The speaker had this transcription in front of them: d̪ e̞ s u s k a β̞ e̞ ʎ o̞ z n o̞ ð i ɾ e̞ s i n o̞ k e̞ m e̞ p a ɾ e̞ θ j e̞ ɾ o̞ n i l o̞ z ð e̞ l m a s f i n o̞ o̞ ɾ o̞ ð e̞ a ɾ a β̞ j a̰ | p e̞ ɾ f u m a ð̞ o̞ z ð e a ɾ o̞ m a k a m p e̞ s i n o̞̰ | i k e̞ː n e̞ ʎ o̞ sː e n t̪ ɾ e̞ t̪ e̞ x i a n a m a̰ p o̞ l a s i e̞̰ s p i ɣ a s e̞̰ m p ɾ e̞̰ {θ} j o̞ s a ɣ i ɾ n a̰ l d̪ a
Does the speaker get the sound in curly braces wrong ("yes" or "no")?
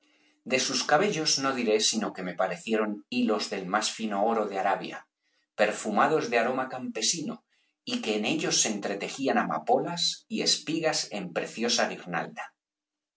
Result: no